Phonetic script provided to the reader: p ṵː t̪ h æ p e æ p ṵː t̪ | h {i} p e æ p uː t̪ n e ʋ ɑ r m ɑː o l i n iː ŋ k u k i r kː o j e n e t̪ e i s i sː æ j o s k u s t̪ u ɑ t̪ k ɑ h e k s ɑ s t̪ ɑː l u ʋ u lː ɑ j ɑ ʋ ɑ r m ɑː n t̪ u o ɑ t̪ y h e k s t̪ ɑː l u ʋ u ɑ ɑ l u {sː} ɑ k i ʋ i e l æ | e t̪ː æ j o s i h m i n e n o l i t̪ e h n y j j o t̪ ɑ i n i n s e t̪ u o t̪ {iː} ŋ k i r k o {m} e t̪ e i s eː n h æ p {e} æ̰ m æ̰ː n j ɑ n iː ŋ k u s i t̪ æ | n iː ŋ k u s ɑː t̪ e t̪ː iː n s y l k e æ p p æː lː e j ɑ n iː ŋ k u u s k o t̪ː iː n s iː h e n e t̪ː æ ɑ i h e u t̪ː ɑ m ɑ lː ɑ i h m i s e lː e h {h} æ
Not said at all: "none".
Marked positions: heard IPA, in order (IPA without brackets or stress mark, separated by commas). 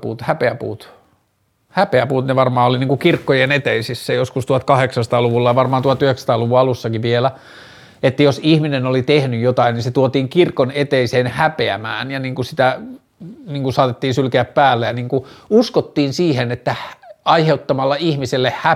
æ, sː, iː, n, e, h